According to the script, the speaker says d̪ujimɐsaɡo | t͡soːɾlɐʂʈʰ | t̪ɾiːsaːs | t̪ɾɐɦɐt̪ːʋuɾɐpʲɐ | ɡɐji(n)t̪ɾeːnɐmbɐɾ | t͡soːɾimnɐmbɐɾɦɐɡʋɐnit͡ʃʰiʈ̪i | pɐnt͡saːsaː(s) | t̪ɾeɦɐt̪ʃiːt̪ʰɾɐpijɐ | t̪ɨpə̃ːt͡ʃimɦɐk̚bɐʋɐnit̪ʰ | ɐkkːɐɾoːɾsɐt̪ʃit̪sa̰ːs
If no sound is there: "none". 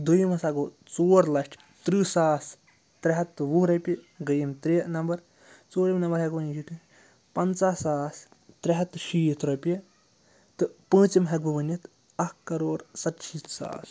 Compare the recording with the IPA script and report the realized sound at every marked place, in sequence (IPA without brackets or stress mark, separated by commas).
m, s